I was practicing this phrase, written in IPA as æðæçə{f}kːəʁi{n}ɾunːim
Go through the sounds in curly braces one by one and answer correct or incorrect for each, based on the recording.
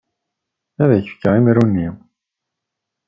correct, incorrect: m

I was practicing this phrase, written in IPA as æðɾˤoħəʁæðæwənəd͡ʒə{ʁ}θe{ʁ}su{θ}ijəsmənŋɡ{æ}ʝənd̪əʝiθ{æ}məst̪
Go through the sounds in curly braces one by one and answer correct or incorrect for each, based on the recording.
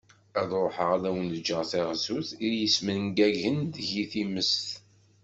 correct, correct, correct, correct, incorrect: i

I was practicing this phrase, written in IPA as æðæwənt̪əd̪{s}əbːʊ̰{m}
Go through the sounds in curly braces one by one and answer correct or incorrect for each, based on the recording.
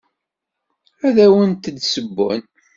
correct, incorrect: n

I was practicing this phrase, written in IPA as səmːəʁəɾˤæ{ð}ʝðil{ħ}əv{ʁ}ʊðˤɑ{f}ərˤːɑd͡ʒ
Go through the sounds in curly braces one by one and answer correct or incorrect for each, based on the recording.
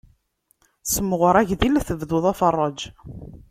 incorrect: none, incorrect: θ, incorrect: ð, correct

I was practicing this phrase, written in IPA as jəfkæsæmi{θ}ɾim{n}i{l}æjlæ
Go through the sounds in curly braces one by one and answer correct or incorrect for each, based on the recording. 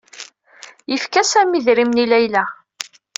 incorrect: ð, correct, correct

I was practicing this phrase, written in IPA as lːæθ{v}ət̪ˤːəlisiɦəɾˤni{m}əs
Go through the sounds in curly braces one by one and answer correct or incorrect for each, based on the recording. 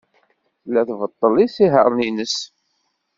correct, incorrect: n

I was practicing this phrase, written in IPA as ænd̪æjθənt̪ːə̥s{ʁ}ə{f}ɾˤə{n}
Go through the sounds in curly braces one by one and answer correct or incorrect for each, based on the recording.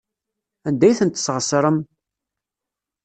correct, incorrect: s, incorrect: m

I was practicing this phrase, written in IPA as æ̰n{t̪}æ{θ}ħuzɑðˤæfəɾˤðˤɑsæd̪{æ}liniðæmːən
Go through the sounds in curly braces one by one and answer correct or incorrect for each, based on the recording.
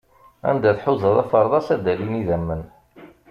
incorrect: d̪, correct, correct

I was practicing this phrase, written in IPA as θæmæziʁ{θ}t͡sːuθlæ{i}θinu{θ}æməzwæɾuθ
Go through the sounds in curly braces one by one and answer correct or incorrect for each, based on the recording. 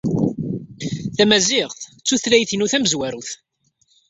correct, incorrect: j, correct

